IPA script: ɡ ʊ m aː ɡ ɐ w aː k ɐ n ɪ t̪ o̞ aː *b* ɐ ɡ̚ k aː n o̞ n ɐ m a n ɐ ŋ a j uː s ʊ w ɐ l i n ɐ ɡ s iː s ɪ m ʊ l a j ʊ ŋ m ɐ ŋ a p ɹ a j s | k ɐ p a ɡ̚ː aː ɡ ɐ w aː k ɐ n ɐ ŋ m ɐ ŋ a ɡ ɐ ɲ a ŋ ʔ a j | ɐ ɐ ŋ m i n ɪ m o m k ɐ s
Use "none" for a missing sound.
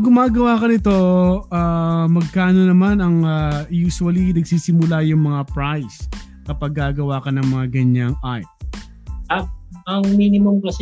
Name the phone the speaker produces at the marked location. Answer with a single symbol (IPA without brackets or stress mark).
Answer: m